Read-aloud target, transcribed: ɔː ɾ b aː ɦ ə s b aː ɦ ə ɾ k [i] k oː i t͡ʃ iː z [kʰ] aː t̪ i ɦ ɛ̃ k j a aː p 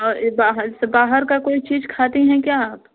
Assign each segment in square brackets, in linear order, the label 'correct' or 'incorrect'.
incorrect: a, correct

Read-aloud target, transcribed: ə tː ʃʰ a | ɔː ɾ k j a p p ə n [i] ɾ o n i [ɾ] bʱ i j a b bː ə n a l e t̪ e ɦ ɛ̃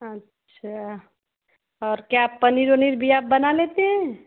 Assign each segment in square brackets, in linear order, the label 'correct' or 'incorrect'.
correct, correct

